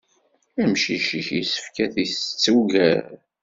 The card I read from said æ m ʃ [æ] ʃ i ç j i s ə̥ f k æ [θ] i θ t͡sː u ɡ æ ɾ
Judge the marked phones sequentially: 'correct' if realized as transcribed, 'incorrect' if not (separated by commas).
incorrect, correct